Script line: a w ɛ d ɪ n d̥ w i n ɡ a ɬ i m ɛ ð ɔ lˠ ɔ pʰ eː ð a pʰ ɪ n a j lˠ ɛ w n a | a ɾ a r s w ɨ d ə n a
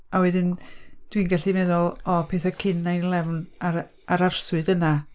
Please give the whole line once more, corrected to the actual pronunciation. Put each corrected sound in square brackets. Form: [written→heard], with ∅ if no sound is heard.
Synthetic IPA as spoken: a w ɛ d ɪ n d̥ w i n ɡ a ɬ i m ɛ ð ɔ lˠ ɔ pʰ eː [ð→θ] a [pʰ→kʰ] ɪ n a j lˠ ɛ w n a | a ɾ a r s w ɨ d ə n a